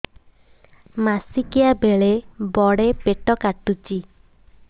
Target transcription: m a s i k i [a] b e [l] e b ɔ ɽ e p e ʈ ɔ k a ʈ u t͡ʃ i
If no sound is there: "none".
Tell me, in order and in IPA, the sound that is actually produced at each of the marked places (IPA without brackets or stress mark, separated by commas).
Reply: a, ɭ